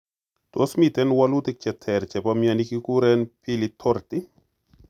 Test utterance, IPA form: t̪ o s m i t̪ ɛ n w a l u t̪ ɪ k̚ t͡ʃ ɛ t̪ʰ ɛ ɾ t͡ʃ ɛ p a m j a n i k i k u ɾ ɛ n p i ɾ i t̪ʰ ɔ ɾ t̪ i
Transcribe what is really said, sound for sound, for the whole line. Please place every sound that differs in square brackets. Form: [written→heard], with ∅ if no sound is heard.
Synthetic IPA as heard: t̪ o s m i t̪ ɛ n w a l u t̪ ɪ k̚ t͡ʃ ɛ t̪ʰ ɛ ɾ t͡ʃ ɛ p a m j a n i k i k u ɾ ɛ n p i [ɾ→l] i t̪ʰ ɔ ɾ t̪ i